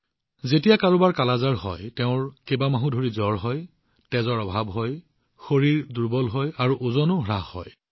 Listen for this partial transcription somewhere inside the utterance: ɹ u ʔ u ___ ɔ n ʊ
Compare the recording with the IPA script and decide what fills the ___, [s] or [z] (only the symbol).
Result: z